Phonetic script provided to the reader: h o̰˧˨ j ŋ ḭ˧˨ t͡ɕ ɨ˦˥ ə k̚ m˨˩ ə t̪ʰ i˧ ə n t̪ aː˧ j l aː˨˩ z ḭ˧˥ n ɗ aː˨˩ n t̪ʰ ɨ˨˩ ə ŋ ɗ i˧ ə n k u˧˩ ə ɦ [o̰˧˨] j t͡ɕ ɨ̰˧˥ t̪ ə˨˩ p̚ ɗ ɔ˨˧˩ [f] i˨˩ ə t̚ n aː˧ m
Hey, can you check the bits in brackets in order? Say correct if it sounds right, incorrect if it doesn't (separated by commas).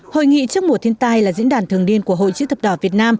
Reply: correct, incorrect